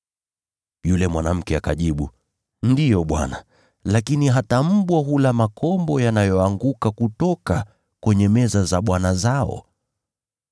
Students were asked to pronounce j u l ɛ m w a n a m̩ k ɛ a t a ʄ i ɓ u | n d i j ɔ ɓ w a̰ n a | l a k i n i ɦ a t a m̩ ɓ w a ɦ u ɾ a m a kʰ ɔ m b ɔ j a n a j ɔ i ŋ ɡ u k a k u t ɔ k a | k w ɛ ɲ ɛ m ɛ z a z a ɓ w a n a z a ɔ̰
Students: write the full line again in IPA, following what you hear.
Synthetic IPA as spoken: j u l ɛ m w a n a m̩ k ɛ a k a ʄ i ɓ u | n d i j ɔ ɓ w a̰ n a | l a k i n i ɦ a t a m̩ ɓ w a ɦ u l a m a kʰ ɔ m b ɔ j a n a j ɔ a ŋ ɡ u k a k u t ɔ k a | k w ɛ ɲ ɛ m ɛ z a z a ɓ w a n a z a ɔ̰

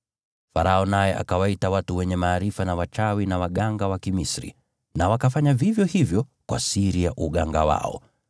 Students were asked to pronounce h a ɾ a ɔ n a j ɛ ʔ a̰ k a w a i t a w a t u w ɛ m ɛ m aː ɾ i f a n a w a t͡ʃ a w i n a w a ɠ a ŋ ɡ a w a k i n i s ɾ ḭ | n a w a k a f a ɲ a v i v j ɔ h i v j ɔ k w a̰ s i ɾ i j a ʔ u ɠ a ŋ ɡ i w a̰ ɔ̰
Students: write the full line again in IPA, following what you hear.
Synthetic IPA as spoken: f a ɾ a ɔ n a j ɛ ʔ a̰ k a w a i t a w a t u w ɛ ɲ ɛ m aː ɾ i f a n a w a t͡ʃ a w i n a w a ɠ a ŋ ɡ a w a k i m i s ɾ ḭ | n a w a k a f a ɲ a v i v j ɔ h i v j ɔ k w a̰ s i ɾ i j a ʔ u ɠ a ŋ ɡ a w a̰ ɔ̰

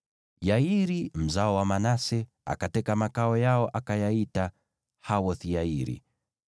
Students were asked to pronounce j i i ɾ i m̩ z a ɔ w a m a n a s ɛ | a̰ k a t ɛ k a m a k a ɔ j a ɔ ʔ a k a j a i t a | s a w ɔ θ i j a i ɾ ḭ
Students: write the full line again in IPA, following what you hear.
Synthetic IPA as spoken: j a i ɾ i m̩ z a ɔ w a m a n a s ɛ | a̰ k a t ɛ k a m a k a ɔ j a ɔ ʔ a k a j a i t a | h a w ɔ θ i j a i ɾ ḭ

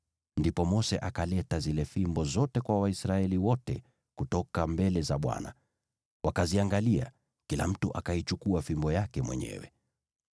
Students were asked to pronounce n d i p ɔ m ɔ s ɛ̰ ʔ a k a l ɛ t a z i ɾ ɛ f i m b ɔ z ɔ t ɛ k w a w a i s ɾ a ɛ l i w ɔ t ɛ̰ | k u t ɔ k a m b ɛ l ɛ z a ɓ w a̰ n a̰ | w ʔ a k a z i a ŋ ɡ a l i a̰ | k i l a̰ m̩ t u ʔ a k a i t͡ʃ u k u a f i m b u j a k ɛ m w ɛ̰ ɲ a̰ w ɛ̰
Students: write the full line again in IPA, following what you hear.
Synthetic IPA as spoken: n d i p ɔ m ɔ s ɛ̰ ʔ a k a l ɛ t a z i l ɛ f i m b ɔ z ɔ t ɛ k w a w a i s ɾ a ɛ l i w ɔ t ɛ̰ | k u t ɔ k a m b ɛ l ɛ z a ɓ w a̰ n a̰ | w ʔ a k a z i a ŋ ɡ a l i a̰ | k i l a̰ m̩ t u ʔ a k a i t͡ʃ u k u a f i m b ɔ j a k ɛ m w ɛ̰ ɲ ɛ̰ w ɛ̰

